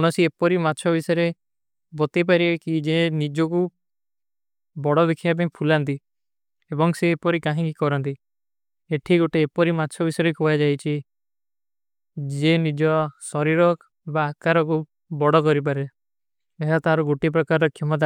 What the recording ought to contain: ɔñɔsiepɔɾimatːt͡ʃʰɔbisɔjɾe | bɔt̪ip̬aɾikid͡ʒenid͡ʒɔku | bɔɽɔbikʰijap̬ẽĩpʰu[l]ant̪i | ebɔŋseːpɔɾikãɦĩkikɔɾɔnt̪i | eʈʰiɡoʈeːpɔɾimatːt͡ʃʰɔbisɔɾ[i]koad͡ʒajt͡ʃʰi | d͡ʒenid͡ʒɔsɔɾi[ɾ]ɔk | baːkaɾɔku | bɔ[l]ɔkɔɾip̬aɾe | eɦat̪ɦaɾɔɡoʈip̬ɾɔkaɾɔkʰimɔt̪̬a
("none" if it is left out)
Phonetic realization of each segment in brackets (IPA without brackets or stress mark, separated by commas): l, e, ɾ, ɽ